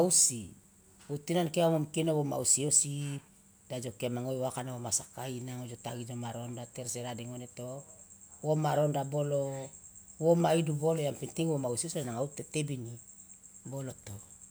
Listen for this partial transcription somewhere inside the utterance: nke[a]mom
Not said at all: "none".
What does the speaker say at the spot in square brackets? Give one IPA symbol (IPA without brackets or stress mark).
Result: a